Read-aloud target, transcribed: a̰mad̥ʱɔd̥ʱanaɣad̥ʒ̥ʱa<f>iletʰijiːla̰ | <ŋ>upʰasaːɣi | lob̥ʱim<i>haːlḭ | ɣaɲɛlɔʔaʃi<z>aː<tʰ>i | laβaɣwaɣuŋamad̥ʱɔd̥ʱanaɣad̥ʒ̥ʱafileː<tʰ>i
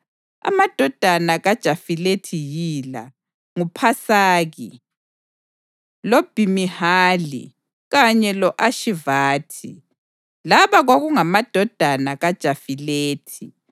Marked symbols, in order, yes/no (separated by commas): yes, yes, yes, no, yes, yes